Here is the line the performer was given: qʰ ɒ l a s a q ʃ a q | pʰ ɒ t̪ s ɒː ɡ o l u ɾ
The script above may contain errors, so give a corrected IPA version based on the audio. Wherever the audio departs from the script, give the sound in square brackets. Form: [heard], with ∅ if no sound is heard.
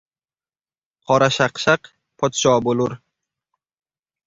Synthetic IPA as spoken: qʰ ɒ [ɾ] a [ʃ] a q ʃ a q | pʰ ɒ t̪ [ʃ] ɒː [b] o l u ɾ